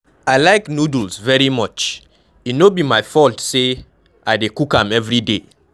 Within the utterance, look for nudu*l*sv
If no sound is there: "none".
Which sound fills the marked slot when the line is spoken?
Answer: l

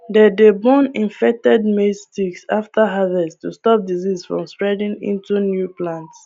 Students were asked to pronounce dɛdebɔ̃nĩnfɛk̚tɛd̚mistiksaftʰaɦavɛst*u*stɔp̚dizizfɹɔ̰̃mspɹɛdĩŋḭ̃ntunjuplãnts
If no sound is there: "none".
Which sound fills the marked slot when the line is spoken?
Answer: u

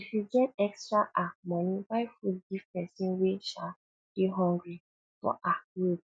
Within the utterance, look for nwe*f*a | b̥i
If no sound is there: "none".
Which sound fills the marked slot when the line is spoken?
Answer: ʃ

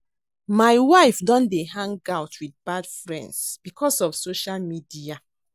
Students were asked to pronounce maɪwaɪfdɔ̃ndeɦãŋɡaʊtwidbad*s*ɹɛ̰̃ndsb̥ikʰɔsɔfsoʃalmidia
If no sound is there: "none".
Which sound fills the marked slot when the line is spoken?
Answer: f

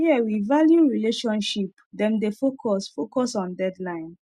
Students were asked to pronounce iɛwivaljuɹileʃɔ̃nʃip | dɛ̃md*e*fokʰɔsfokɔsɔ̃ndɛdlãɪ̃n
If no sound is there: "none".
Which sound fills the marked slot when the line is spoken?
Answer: e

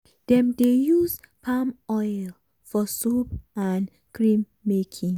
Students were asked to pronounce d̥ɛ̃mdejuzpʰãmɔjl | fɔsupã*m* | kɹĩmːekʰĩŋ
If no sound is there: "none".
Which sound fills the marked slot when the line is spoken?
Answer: n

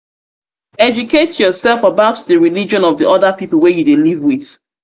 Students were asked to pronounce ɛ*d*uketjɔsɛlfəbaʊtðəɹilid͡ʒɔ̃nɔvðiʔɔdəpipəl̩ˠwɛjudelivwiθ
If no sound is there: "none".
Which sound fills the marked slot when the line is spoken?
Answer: d͡ʒ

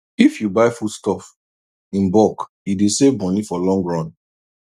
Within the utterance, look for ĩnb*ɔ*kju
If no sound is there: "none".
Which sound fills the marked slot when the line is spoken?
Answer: ɔ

